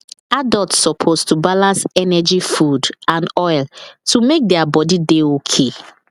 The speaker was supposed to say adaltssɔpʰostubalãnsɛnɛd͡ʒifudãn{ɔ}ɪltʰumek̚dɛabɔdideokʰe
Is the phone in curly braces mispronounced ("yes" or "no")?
no